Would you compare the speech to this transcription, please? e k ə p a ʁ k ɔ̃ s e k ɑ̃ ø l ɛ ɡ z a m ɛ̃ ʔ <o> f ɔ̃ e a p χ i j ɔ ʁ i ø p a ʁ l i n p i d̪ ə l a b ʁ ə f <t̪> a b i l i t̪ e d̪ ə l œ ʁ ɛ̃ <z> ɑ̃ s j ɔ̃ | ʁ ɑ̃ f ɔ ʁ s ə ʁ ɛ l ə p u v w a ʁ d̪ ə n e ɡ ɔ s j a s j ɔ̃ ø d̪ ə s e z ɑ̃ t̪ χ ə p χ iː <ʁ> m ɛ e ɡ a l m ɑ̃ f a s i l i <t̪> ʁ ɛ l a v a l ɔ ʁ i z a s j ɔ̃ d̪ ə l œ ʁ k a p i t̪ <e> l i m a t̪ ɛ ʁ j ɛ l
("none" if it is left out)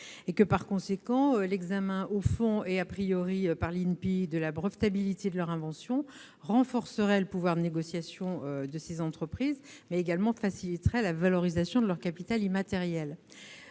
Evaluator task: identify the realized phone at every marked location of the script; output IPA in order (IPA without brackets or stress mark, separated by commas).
o, t̪, v, z, t̪, a